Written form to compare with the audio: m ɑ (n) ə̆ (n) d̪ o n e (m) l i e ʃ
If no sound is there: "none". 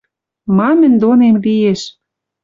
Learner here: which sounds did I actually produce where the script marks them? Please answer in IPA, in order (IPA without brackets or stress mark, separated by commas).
m, n, m